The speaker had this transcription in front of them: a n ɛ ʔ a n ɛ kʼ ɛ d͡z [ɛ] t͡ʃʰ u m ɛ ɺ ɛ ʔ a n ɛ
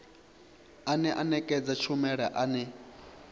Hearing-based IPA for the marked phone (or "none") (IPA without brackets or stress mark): a